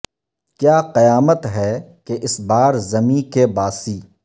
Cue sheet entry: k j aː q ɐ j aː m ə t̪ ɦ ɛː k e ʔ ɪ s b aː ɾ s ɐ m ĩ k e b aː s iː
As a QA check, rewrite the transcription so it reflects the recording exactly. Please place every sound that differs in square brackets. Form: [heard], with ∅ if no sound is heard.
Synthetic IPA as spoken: k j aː q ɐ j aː m ə t̪ ɦ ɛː k e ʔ ɪ s b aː ɾ [z] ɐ m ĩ k e b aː s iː